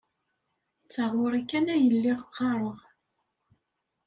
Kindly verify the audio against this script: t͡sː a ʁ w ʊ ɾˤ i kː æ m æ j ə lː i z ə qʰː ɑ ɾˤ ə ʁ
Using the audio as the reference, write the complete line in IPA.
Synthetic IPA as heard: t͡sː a ʁ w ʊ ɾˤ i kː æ n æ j ə lː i ʁ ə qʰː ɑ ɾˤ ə ʁ